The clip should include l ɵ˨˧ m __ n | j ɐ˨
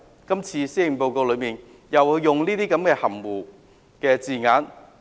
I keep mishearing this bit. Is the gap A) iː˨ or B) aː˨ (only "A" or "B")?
A